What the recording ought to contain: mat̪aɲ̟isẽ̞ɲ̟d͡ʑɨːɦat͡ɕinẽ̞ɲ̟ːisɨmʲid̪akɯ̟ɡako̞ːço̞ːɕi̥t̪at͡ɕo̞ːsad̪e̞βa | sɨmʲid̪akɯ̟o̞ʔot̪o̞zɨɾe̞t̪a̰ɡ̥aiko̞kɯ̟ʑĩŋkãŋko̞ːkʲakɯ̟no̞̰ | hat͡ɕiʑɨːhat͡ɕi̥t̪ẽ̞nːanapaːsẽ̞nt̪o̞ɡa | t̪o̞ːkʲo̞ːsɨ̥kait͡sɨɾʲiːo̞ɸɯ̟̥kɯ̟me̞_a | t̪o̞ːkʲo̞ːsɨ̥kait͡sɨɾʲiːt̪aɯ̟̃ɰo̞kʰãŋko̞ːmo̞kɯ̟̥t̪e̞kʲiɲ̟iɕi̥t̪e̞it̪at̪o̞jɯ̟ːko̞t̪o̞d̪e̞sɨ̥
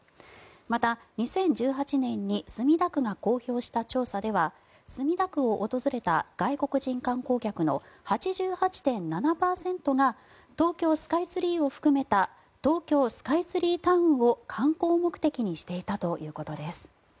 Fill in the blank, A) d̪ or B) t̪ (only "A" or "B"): B